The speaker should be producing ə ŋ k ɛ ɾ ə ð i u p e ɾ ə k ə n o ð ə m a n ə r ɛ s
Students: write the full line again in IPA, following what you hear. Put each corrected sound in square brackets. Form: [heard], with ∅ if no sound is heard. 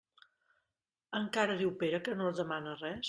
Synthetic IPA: ə ŋ k [a] ɾ ə ð i [w] p e ɾ ə k ə n o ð ə m a n ə r ɛ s